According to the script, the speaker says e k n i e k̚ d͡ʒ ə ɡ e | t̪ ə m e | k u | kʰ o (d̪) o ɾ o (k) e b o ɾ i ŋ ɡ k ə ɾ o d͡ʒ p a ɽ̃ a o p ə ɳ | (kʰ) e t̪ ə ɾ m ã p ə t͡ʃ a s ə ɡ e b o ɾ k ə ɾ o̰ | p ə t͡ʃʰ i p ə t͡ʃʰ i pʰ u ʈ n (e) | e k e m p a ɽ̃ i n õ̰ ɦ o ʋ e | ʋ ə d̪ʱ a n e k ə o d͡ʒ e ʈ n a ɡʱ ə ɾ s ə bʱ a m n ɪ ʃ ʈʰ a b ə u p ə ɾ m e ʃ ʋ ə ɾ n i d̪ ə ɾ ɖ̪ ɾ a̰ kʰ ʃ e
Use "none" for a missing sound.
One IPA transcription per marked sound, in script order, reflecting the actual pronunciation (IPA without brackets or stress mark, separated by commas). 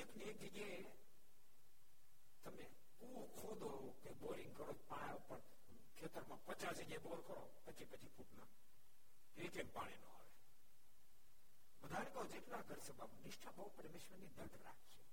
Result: d̪, k, kʰ, a